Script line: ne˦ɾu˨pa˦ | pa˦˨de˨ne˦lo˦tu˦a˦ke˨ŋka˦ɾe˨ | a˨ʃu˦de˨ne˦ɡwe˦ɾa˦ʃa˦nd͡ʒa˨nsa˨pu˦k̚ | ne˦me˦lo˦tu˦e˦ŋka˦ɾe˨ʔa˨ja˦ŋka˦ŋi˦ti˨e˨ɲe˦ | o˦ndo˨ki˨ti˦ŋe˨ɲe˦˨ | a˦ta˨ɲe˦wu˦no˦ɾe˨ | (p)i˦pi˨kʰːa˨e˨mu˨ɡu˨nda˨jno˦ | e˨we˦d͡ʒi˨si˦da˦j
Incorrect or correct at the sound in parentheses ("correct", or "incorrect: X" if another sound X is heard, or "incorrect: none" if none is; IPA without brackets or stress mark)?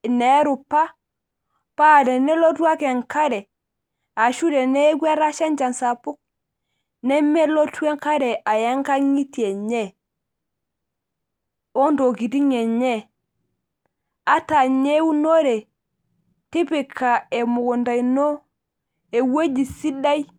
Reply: incorrect: t